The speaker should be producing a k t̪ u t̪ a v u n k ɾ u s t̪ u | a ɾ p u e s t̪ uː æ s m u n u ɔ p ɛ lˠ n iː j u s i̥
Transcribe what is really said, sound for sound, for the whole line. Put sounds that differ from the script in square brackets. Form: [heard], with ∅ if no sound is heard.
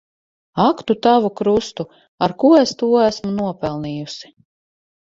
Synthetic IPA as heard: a k t̪ u t̪ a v u [∅] k ɾ u s t̪ u | a ɾ [k] u e s t̪ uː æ s m u n u ɔ p ɛ lˠ n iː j u s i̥